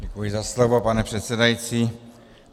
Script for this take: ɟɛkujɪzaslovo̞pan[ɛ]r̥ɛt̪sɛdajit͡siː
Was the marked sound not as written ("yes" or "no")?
no